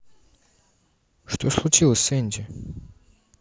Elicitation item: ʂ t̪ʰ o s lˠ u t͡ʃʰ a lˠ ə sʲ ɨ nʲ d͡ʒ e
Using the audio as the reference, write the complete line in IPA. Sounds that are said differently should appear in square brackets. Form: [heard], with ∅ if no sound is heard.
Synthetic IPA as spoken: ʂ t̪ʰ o s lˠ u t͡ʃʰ [i] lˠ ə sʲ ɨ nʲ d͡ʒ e